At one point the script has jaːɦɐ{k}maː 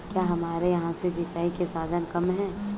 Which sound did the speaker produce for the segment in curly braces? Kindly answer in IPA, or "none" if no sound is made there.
none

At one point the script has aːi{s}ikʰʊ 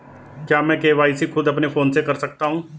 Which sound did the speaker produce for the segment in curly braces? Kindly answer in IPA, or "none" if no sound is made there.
s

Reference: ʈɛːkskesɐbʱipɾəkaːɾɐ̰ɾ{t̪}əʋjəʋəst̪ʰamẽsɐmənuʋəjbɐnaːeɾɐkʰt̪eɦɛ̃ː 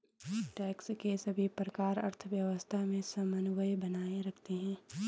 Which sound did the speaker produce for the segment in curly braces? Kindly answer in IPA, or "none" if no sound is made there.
t̪ʰ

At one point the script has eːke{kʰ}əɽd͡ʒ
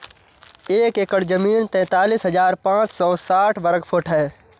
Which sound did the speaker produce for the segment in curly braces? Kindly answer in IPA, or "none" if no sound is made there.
k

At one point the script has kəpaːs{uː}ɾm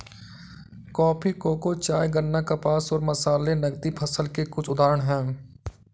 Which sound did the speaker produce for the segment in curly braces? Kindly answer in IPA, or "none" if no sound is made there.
ɔː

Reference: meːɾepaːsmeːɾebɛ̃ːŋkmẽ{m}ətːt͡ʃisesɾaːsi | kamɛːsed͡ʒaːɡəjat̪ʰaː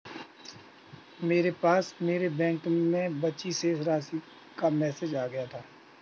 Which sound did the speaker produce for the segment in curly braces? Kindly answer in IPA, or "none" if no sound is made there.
b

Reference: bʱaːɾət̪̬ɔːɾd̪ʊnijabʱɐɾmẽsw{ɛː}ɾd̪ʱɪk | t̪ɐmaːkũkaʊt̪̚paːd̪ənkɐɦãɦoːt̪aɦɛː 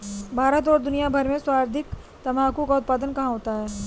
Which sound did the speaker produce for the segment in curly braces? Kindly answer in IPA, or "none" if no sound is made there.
aː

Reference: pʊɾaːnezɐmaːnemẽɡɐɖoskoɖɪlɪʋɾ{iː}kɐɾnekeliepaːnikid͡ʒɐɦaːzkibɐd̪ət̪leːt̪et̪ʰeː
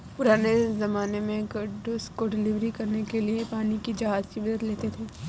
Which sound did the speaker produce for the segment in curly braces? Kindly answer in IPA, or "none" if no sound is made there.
i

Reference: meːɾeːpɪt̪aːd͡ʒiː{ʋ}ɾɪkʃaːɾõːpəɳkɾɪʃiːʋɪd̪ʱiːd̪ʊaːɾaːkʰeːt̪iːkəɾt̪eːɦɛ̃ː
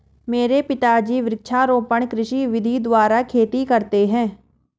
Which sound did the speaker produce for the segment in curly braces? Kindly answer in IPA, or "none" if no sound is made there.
ʋ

